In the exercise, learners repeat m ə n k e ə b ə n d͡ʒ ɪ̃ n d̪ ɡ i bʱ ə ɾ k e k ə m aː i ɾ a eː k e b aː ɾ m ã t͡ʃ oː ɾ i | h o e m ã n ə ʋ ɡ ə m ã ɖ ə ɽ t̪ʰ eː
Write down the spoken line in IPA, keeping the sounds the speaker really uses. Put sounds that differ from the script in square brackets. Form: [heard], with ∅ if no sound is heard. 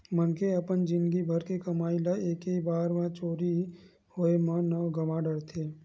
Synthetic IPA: m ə n k e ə [p] ə n d͡ʒ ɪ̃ n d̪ ɡ i bʱ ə ɾ k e k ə m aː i [l] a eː k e b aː ɾ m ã t͡ʃ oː ɾ i | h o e m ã n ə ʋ ɡ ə m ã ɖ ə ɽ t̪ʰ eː